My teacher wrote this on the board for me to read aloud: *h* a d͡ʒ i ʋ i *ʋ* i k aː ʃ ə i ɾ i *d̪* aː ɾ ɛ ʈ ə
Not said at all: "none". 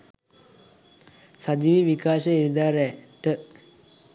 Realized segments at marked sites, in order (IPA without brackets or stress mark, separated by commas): s, ʋ, d̪